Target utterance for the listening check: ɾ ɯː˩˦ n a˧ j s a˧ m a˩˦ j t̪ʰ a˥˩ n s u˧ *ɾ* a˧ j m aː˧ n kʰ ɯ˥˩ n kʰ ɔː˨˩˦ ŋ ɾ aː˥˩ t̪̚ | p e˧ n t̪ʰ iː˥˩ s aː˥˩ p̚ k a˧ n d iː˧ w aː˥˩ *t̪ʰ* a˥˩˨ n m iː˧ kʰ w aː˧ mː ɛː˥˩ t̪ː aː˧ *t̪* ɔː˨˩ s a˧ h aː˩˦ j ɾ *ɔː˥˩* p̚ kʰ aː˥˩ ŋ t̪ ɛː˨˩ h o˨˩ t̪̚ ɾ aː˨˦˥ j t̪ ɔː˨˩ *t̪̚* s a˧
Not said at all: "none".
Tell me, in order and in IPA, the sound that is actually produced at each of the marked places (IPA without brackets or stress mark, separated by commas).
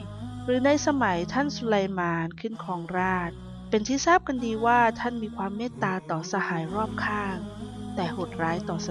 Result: l, t̪ʰ, t̪, ɔː˥˩, none